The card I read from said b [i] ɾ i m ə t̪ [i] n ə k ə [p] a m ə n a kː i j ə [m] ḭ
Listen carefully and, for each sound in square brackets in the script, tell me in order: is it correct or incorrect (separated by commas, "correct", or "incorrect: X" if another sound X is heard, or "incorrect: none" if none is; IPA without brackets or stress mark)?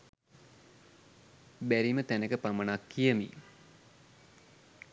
incorrect: æ, incorrect: æ, correct, correct